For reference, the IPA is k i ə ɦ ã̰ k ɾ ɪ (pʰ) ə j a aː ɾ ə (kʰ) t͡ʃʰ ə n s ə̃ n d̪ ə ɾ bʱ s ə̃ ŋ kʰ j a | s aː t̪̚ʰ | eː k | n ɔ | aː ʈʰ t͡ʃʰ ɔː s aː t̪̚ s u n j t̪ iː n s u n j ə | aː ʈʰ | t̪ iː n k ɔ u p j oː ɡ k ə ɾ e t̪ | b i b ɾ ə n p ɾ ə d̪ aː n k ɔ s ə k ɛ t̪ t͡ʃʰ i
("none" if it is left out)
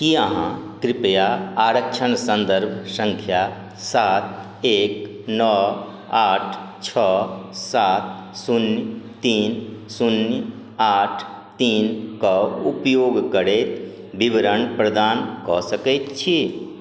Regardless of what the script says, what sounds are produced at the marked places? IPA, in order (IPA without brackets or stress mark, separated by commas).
p, k